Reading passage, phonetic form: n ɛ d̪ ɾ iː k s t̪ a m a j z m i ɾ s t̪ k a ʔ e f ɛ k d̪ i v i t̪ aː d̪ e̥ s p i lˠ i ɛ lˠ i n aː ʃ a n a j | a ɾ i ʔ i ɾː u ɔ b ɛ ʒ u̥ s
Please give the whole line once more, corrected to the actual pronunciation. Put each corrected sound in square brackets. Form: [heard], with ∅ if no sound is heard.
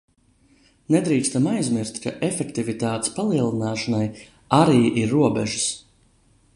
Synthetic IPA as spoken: n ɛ d̪ ɾ iː k s t̪ a m a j z m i ɾ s t̪ k a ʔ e f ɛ k [t̪] i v i t̪ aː [t̪] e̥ s p [a] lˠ i ɛ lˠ i n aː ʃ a n a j | a ɾ [iː] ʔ i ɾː u ɔ b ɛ ʒ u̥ s